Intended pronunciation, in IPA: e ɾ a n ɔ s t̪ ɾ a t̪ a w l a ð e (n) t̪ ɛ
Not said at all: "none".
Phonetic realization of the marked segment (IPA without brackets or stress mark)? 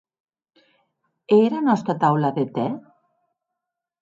none